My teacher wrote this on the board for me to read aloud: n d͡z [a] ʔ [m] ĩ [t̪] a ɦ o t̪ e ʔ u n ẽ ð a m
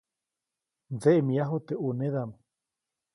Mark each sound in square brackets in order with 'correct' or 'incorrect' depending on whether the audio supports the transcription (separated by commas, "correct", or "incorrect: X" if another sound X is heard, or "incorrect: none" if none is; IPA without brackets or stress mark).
incorrect: e, correct, incorrect: none